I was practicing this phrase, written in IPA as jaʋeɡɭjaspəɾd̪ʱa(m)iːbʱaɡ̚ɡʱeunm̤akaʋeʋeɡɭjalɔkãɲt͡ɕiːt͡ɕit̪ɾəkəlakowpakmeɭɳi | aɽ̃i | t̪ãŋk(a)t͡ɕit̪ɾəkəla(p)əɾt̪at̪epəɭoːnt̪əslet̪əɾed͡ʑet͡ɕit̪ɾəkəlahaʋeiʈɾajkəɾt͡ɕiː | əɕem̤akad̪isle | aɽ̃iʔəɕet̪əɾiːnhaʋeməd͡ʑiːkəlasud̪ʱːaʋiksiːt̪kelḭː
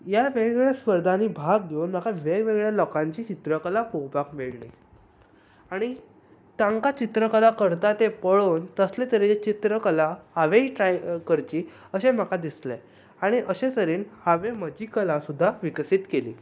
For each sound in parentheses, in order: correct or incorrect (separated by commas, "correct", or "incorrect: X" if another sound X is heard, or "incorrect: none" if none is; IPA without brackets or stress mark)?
incorrect: n, correct, incorrect: k